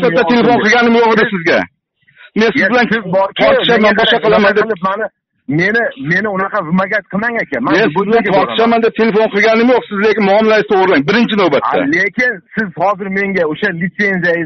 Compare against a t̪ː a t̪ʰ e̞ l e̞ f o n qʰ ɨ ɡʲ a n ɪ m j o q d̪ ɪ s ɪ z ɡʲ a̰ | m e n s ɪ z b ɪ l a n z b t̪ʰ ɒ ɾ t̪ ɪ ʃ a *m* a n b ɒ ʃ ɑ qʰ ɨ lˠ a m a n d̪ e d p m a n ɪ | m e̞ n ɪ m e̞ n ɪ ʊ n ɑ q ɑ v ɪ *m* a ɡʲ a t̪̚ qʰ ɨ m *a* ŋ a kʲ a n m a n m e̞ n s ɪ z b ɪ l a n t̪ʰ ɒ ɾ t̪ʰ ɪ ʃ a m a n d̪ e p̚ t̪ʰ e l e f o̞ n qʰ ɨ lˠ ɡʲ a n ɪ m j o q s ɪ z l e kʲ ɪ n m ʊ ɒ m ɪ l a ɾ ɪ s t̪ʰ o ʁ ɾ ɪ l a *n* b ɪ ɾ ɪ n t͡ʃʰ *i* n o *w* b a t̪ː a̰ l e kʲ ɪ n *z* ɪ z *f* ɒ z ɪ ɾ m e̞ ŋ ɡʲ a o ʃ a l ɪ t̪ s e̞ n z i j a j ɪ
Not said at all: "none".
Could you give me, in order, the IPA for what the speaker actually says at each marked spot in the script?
m, m, a, ŋ, ɪ, w, s, h

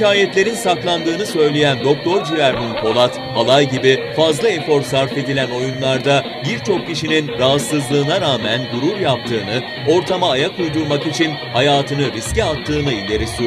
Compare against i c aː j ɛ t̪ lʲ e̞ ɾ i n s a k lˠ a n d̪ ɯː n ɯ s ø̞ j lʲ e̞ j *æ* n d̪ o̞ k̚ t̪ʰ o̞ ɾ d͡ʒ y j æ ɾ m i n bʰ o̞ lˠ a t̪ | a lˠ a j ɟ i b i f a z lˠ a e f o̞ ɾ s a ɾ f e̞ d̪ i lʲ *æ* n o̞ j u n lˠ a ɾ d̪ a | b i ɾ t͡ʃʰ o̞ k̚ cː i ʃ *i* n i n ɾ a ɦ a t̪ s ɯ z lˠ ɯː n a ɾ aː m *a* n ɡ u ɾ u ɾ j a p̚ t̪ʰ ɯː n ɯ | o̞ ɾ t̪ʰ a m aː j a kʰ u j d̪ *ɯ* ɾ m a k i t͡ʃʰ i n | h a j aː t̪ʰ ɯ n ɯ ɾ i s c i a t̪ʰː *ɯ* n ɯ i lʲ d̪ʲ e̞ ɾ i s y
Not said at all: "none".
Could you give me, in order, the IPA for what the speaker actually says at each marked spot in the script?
æ, æ, i, æ, u, ɯː

